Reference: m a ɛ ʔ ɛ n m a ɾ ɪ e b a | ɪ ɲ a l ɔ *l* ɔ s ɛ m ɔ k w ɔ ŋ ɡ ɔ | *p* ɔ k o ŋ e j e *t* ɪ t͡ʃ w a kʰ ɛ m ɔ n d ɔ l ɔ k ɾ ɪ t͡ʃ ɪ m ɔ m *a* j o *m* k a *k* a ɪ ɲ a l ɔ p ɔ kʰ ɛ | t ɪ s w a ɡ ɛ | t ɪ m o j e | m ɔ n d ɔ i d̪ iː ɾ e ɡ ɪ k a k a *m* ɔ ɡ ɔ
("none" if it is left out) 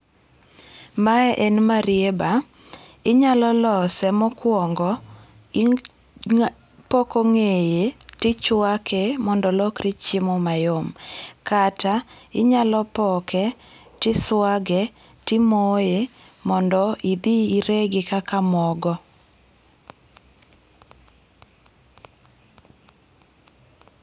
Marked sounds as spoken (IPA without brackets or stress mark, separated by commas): l, p, t, a, m, t, m